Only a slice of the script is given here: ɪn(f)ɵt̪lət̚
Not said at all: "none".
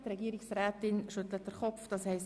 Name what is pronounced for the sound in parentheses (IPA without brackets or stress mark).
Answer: ʃ